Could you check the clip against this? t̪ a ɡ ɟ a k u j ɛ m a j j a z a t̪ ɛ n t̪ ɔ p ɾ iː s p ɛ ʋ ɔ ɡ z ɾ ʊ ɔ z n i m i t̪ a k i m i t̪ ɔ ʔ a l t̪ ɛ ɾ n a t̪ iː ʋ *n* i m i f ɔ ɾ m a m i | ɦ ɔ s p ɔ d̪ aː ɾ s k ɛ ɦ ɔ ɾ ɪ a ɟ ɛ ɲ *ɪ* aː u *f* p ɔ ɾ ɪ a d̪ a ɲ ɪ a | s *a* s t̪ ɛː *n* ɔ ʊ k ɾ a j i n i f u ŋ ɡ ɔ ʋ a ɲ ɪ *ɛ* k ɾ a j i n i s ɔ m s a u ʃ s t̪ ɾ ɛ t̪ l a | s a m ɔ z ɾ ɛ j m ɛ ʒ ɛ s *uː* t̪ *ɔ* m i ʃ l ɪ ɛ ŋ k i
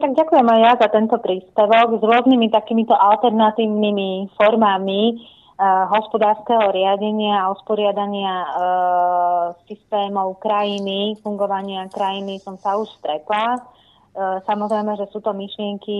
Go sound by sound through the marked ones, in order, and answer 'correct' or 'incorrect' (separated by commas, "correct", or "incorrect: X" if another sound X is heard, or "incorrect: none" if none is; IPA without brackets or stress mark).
correct, correct, incorrect: s, incorrect: i, incorrect: m, incorrect: a, correct, correct